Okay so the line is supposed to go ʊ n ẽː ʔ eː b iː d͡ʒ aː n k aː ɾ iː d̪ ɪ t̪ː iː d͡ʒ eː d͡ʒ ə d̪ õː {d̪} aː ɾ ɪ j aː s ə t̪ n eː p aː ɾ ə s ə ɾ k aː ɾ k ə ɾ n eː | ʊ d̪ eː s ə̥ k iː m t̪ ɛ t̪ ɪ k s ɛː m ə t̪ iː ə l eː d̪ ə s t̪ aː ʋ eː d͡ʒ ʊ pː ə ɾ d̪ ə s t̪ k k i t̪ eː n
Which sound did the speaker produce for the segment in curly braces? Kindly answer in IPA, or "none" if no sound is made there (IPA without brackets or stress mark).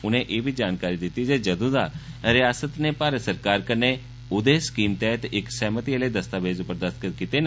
d̪